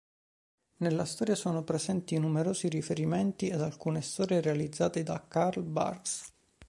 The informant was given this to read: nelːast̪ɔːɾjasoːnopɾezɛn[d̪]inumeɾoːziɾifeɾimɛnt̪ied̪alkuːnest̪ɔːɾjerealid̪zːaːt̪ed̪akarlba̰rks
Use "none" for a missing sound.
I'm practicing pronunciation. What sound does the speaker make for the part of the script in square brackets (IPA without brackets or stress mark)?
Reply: t̪